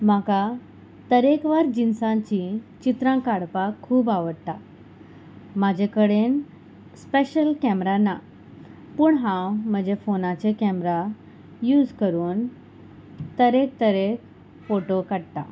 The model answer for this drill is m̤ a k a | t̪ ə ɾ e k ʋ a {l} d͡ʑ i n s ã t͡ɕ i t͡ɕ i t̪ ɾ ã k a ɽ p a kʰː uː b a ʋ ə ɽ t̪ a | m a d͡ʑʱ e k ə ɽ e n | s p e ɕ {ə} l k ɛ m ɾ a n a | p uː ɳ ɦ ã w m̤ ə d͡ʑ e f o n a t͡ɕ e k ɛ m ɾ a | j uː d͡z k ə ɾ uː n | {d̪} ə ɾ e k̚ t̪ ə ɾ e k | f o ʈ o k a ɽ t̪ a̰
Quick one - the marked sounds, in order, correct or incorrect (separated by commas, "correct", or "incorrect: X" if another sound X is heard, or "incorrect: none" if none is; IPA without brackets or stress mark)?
incorrect: ɾ, correct, incorrect: t̪